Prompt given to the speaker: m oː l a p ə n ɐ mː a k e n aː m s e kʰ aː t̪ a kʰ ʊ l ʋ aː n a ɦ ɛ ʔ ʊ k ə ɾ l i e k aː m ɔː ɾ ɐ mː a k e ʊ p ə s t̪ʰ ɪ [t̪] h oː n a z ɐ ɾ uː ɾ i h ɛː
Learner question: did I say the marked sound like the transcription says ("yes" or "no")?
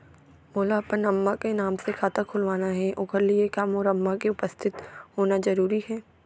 yes